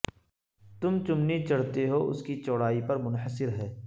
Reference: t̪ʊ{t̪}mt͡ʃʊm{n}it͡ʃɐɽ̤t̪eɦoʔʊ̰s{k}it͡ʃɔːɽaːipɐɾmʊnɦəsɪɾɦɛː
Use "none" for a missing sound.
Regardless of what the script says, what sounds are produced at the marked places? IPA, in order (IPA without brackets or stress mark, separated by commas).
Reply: none, n, k